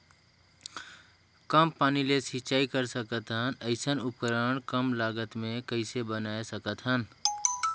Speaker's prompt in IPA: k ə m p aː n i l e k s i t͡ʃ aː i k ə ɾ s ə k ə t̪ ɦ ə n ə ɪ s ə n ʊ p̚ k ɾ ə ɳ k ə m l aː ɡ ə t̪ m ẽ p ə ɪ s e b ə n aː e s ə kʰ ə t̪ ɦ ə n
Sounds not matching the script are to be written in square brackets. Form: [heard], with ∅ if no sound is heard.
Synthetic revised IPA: k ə m p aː n i l e [∅] s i t͡ʃ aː i k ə ɾ s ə k ə t̪ ɦ ə n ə ɪ s ə n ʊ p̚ k ɾ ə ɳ k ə m l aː ɡ ə t̪ m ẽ [k] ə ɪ s e b ə n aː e s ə [k] ə t̪ ɦ ə n